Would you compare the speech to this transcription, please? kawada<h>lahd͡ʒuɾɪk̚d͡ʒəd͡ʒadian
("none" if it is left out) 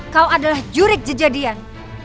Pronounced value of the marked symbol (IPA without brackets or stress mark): none